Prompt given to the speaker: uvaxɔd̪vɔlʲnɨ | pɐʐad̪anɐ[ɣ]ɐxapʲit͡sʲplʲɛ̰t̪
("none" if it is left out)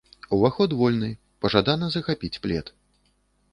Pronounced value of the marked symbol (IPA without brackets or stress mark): z